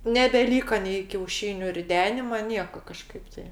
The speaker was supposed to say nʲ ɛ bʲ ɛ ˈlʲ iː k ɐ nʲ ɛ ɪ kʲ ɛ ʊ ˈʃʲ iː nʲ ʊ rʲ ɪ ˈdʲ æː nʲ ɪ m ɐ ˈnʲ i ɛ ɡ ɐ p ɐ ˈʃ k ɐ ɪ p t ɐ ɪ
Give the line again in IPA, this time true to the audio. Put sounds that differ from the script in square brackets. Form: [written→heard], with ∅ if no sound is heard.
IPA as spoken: nʲ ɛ bʲ ɛ ˈlʲ iː k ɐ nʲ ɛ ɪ kʲ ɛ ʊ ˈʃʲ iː nʲ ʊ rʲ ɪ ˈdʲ æː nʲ ɪ m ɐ ˈnʲ i ɛ [ɡ→k] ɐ [p→k] ɐ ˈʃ k ɐ ɪ p t ɐ ɪ

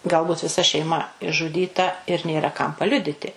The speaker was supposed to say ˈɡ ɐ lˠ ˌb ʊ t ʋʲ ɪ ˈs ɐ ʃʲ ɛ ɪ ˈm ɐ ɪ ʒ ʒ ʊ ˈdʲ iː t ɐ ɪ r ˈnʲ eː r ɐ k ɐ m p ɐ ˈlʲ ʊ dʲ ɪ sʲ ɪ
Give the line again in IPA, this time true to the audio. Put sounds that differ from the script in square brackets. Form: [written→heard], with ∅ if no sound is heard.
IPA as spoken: ˈɡ ɐ lˠ ˌb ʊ t ʋʲ ɪ ˈs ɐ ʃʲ ɛ ɪ ˈm ɐ ɪ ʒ ʒ ʊ ˈdʲ iː t ɐ ɪ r ˈnʲ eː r ɐ k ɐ m p ɐ ˈlʲ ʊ dʲ ɪ [sʲ→tʲ] ɪ

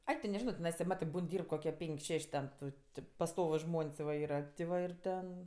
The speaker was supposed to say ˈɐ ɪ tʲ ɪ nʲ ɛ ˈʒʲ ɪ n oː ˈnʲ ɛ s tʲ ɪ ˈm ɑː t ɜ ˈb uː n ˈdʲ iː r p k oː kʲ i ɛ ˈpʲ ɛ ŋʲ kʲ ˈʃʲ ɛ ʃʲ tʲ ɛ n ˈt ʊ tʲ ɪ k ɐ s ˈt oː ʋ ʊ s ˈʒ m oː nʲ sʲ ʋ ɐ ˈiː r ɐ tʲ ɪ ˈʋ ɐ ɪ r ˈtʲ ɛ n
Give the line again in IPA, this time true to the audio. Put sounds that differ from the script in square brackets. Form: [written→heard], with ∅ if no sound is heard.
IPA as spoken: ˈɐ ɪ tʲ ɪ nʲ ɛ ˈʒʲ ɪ n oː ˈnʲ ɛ s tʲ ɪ ˈm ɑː t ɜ ˈb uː n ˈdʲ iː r p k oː kʲ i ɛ ˈpʲ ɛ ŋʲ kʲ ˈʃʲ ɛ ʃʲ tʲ ɛ n ˈt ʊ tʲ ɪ [k→p] ɐ s ˈt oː ʋ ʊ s ˈʒ m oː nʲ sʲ ʋ ɐ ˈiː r ɐ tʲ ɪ ˈʋ ɐ ɪ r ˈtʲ ɛ n

